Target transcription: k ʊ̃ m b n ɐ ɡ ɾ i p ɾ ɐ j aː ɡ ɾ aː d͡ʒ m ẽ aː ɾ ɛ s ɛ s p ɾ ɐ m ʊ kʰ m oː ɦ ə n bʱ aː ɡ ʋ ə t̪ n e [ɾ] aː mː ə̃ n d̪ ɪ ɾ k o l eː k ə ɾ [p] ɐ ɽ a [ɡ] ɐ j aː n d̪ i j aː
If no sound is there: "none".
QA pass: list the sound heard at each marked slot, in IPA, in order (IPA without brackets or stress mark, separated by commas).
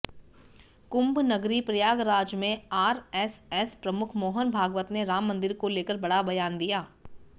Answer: ɾ, b, b